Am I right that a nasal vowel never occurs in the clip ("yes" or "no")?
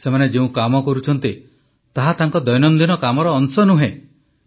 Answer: no